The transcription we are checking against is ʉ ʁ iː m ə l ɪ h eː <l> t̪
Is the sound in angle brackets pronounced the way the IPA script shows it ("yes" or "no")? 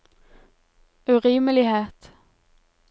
no